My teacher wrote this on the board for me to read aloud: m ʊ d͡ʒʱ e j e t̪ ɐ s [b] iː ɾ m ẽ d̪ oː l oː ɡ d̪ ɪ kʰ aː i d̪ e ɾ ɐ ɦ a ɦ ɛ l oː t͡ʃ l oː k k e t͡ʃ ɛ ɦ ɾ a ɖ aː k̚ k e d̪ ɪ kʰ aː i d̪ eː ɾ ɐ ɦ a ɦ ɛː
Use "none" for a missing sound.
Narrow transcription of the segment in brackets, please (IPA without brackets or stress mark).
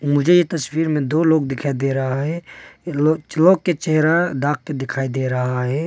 w